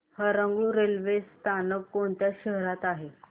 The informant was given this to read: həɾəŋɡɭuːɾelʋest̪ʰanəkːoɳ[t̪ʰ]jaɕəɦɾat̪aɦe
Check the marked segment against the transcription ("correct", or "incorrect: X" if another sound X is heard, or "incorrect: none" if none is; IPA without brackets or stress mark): incorrect: t̪